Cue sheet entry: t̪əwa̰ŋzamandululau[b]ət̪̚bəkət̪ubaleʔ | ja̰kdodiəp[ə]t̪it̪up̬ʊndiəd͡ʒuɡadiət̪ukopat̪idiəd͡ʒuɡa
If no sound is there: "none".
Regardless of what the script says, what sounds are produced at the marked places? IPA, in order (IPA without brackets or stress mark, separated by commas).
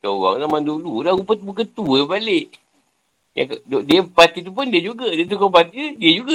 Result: p, a